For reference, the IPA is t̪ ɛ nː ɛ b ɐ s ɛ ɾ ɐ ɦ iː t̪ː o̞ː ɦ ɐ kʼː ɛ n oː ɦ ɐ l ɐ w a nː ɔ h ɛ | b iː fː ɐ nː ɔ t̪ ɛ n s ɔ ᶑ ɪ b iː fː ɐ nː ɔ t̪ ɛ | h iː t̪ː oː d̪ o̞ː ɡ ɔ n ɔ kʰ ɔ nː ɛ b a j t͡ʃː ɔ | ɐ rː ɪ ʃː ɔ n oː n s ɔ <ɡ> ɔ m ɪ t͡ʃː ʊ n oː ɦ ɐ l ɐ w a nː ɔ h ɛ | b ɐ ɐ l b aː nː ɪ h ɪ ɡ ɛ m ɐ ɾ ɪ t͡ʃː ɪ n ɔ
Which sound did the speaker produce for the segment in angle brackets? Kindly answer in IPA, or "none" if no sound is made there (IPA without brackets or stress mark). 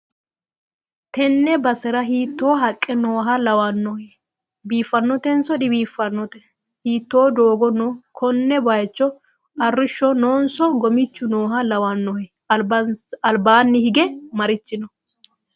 ɡ